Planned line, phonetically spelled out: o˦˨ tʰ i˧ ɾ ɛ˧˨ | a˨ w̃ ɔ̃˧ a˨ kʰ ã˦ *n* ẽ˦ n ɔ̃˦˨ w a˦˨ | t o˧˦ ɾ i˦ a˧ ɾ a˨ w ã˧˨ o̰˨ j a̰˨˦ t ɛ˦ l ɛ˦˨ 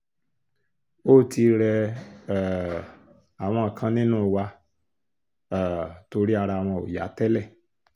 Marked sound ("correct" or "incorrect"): correct